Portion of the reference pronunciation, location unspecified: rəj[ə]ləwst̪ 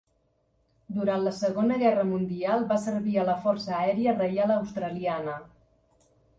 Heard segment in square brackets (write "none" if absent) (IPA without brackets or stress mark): a